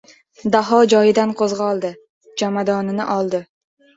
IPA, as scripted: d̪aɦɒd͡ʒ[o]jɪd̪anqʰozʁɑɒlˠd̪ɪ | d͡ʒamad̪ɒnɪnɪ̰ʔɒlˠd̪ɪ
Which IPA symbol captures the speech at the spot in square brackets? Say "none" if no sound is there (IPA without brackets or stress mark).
ɒ